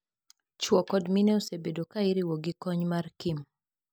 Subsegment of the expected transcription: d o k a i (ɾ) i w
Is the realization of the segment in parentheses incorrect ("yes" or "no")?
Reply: no